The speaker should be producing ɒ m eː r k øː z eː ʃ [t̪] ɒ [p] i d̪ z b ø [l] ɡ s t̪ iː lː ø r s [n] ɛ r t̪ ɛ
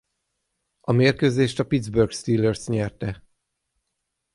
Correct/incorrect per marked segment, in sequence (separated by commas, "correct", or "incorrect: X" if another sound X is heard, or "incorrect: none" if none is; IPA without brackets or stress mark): correct, correct, incorrect: r, incorrect: ɲ